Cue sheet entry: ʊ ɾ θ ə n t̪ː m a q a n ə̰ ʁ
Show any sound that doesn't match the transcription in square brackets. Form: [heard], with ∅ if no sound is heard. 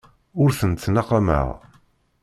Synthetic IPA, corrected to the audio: ʊ ɾ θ ə n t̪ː [n] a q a [m] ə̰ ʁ